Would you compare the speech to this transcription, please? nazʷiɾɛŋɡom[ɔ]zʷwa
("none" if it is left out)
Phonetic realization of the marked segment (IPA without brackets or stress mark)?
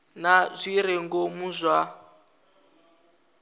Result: u